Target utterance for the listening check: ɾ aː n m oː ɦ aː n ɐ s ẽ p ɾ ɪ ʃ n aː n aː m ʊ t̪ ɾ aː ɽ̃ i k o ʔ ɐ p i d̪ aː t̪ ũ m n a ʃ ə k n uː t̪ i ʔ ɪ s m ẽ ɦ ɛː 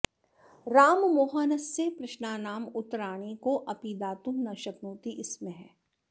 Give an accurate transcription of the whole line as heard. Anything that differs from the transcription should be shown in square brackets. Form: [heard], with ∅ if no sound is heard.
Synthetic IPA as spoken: ɾ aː [m] m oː ɦ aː n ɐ s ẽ p ɾ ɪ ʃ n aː n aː m ʊ t̪ ɾ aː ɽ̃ i k o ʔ ɐ p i d̪ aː t̪ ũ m n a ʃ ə k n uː t̪ i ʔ ɪ s m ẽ ɦ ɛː

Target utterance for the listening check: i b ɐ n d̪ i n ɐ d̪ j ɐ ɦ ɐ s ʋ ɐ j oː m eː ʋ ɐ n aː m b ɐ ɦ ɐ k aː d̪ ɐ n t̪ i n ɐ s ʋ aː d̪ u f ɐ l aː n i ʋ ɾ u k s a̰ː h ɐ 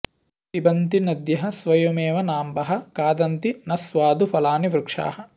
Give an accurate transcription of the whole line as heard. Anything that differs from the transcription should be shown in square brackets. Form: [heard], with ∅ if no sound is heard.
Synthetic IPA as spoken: i b ɐ n [t̪] i n ɐ d̪ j ɐ ɦ ɐ s ʋ ɐ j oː m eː ʋ ɐ n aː m b ɐ ɦ ɐ k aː d̪ ɐ n t̪ i n ɐ s ʋ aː d̪ u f ɐ l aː n i ʋ ɾ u k [ʂ] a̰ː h ɐ

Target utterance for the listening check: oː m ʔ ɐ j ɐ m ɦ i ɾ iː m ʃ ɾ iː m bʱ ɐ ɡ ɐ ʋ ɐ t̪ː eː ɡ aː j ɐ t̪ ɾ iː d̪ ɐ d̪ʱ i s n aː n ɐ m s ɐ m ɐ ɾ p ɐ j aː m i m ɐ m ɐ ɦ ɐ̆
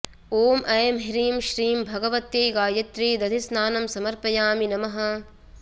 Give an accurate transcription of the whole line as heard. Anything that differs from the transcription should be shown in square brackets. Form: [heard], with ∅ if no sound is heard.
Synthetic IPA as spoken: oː m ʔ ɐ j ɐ m ɦ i ɾ iː m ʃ ɾ iː m bʱ ɐ ɡ ɐ ʋ ɐ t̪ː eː ɡ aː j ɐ t̪ ɾ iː d̪ ɐ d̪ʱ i s n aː n ɐ m s ɐ m ɐ ɾ p ɐ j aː m i [n] ɐ m ɐ ɦ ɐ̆

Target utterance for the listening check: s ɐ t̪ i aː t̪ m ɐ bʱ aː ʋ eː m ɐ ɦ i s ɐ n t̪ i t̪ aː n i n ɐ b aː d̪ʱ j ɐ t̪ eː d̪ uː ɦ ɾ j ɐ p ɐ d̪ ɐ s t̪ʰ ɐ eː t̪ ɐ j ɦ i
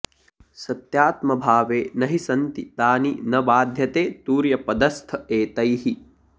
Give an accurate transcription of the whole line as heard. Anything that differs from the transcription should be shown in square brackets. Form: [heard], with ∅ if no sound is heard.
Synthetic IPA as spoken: s ɐ t̪ [j] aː t̪ m ɐ bʱ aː ʋ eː [n] ɐ ɦ i s ɐ n t̪ i t̪ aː n i n ɐ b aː d̪ʱ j ɐ t̪ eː [t̪] uː [∅] ɾ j ɐ p ɐ d̪ ɐ s t̪ʰ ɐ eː t̪ ɐ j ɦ i

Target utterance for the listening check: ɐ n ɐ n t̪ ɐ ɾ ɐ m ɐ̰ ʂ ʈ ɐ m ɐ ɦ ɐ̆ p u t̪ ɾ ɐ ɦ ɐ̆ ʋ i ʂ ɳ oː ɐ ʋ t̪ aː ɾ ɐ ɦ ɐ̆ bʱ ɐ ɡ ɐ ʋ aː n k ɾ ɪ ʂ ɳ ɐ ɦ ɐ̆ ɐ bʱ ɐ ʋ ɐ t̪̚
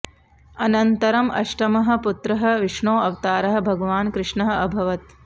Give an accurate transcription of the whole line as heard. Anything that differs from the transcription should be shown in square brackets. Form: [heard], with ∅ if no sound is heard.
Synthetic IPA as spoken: ɐ n ɐ n t̪ ɐ ɾ ɐ m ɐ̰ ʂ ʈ ɐ m ɐ ɦ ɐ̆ p u t̪ ɾ ɐ ɦ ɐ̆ ʋ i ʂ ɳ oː ɐ ʋ t̪ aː ɾ ɐ ɦ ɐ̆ bʱ ɐ ɡ ɐ ʋ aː n k ɾ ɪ ʂ ɳ ɐ ɦ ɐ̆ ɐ bʱ ɐ ʋ ɐ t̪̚

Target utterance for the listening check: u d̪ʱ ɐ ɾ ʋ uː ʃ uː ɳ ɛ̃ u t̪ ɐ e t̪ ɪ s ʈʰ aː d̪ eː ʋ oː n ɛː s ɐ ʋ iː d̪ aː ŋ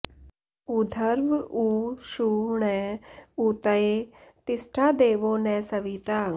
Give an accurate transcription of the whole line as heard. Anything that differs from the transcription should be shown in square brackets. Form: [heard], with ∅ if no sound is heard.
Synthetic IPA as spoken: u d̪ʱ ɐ ɾ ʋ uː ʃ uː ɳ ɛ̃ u t̪ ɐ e t̪ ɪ s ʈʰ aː d̪ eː ʋ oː n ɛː s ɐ ʋ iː [t̪] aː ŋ

